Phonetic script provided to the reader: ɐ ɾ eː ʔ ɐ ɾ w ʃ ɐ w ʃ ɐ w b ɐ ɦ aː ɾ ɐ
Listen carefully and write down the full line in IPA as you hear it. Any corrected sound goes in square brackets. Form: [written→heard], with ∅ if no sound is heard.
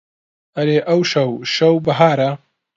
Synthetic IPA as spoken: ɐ ɾ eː ʔ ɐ [ɾ→∅] w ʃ ɐ w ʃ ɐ w b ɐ ɦ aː ɾ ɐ